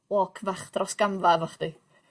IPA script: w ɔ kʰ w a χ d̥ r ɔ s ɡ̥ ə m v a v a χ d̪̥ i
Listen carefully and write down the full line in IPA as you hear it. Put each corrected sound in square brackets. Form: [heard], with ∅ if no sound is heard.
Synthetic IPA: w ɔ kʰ [v] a χ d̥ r ɔ s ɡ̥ [a] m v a v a χ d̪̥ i